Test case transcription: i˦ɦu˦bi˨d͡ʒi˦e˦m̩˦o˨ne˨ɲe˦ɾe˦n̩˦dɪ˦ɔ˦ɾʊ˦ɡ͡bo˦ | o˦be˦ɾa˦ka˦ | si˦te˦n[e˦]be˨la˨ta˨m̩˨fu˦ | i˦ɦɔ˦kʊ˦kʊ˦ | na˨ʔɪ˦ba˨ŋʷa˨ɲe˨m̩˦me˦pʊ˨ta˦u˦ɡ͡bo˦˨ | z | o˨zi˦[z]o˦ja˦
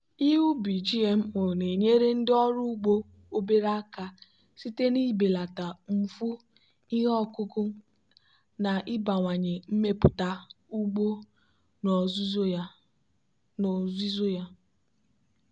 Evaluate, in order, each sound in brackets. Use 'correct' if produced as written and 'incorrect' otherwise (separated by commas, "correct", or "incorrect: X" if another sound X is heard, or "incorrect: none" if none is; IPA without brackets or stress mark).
incorrect: i˦, correct